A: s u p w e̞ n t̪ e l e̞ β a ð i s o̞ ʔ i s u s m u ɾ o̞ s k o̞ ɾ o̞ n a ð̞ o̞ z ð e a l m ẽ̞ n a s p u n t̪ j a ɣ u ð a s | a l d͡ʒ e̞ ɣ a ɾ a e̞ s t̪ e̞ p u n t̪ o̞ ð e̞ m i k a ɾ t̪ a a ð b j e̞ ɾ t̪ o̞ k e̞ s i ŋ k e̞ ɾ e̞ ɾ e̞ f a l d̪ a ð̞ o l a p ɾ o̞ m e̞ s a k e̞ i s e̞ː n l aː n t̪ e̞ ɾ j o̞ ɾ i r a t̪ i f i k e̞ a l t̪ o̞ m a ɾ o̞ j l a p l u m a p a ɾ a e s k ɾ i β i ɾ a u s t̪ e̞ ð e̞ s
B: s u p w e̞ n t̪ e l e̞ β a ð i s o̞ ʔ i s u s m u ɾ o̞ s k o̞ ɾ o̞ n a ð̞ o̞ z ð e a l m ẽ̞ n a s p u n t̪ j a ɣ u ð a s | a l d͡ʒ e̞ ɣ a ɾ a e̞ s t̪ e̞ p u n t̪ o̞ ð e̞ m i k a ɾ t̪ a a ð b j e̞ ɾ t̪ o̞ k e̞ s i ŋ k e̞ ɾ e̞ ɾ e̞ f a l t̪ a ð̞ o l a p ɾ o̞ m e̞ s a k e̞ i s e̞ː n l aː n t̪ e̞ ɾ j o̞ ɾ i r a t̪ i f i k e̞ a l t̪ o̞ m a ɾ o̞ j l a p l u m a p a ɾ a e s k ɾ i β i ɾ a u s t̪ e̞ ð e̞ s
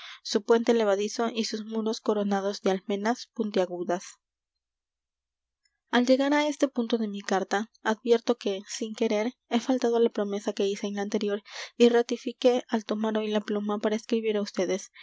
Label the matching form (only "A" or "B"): B